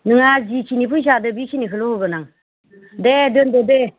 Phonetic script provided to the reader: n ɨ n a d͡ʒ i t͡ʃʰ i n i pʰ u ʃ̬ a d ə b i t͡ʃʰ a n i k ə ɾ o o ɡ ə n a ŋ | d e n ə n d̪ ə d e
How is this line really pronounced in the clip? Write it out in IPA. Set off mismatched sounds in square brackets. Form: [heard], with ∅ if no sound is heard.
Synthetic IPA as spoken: n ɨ [ŋ] a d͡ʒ i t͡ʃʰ i n i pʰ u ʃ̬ a d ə b i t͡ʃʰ [i] n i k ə [l] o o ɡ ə n a ŋ | d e [d] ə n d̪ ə d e